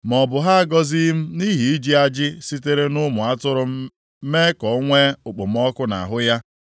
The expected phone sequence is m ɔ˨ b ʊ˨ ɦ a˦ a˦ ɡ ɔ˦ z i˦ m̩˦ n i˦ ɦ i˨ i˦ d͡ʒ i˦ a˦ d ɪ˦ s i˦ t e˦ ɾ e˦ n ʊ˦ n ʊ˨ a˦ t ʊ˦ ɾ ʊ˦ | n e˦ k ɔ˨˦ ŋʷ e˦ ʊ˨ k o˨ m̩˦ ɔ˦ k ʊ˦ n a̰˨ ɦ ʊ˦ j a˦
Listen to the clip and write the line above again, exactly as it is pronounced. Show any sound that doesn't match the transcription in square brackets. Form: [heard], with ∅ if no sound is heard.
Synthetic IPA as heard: m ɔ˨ b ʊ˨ ɦ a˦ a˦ ɡ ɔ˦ z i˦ m̩˦ n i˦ ɦ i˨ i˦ d͡ʒ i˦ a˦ [d͡ʒ] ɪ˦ s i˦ t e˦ ɾ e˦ n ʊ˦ [m] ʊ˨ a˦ t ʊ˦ ɾ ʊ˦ | [m] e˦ k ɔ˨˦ ŋʷ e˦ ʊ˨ [k͡p] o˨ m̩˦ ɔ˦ k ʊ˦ n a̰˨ ɦ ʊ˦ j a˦